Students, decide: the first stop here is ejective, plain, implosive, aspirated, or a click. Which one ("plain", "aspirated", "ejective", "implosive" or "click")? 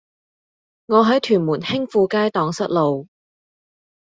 aspirated